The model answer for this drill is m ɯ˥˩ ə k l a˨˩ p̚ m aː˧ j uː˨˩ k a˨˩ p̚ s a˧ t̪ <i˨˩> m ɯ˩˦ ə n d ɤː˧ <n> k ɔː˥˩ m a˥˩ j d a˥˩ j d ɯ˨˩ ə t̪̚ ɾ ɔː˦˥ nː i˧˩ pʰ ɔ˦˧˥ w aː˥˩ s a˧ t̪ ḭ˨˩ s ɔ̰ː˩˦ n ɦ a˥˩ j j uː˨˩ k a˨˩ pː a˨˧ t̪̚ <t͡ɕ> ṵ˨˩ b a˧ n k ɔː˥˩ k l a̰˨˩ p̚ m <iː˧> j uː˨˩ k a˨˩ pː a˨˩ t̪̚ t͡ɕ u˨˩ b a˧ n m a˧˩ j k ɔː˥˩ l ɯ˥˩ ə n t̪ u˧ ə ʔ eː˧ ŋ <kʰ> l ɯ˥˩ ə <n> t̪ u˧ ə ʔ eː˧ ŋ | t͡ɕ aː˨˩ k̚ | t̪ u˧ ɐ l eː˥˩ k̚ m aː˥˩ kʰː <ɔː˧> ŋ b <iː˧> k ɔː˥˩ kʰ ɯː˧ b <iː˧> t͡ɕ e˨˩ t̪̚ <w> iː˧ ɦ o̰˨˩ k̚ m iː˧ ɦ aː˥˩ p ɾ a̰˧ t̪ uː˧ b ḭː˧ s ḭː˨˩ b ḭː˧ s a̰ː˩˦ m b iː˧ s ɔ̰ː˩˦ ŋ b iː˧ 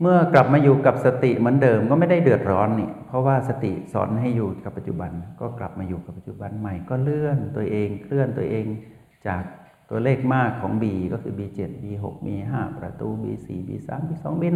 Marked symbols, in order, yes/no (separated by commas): yes, no, yes, no, yes, yes, no, yes, yes, no